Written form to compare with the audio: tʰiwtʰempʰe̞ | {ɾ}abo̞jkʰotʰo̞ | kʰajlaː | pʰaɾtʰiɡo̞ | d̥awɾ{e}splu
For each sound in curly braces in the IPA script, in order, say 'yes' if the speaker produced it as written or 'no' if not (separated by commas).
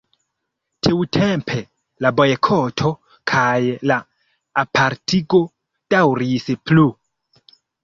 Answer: no, no